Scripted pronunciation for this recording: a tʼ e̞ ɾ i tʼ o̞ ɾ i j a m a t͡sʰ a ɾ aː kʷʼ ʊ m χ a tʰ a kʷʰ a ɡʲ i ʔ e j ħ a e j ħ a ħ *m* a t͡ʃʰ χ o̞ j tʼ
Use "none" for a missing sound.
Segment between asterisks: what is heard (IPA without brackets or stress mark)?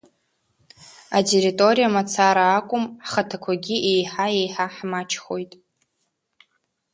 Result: m